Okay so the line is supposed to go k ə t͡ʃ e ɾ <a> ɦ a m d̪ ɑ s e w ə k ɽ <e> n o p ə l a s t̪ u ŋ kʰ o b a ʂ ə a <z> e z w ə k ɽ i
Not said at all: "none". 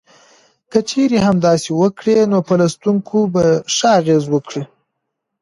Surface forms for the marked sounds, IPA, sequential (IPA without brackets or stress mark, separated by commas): e, e, ɣ